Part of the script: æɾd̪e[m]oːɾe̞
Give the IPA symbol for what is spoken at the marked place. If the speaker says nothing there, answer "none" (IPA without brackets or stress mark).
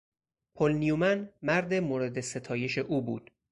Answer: m